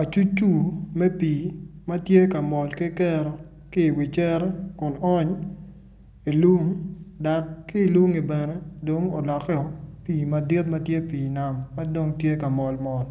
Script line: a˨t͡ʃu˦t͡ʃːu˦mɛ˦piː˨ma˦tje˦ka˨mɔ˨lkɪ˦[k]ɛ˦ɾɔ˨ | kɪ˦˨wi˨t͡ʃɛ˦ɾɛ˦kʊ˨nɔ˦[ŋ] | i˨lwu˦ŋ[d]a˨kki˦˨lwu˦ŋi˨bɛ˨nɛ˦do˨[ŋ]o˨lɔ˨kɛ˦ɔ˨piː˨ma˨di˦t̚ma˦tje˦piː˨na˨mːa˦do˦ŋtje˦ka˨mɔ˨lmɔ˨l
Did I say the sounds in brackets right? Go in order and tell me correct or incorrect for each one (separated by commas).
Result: correct, incorrect, correct, correct